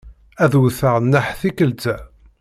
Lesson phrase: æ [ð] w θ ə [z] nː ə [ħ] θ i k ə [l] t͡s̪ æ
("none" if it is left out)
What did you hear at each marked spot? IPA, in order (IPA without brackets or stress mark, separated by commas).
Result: ð, ʁ, ħ, l